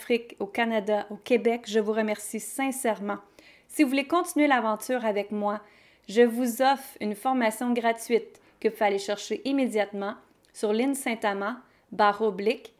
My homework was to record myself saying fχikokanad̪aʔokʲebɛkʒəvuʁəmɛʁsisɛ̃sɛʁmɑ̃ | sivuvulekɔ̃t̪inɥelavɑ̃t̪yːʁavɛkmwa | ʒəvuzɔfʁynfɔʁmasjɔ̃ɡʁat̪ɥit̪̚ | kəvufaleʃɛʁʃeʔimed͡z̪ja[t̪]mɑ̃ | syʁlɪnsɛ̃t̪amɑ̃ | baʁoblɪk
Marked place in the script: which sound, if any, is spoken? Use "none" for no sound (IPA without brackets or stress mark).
t̪